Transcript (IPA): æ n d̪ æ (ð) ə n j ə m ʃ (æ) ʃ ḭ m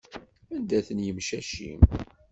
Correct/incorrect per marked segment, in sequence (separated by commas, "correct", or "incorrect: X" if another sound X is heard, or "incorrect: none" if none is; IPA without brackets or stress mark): incorrect: θ, correct